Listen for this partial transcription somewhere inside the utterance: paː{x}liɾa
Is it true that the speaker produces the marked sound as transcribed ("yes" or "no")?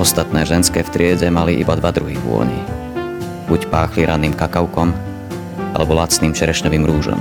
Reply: yes